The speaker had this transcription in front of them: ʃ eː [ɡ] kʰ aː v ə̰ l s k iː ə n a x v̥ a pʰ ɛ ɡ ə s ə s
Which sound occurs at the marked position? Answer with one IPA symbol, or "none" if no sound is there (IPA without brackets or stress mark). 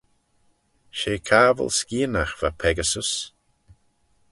none